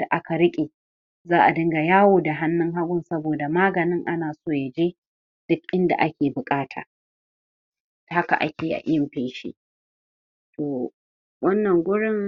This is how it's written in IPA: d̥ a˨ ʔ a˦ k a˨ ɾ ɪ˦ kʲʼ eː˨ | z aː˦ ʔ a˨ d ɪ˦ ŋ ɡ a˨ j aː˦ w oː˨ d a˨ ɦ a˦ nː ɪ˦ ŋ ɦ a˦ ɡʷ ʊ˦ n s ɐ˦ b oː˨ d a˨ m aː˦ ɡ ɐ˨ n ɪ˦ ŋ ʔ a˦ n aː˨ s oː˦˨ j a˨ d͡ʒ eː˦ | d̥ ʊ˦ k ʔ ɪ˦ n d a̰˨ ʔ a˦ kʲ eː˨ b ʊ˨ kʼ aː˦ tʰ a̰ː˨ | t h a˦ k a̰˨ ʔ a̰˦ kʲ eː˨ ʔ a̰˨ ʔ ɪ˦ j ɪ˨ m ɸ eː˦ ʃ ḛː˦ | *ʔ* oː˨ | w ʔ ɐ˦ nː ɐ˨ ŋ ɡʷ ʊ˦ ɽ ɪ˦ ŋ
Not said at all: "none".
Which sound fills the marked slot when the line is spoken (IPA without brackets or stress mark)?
t